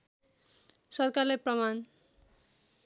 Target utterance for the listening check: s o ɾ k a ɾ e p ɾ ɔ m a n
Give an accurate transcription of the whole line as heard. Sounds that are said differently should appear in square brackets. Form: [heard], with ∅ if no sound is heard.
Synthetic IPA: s [ɔ] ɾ k a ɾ e p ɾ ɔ m a n